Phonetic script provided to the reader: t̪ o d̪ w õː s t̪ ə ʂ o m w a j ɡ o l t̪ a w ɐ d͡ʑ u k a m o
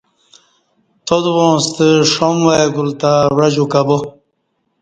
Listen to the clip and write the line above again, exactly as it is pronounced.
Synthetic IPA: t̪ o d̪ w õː s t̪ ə ʂ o m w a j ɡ u l t̪ a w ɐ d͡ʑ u k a b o